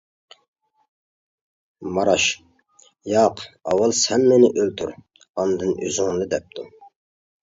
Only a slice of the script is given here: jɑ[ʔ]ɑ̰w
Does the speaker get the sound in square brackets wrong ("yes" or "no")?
yes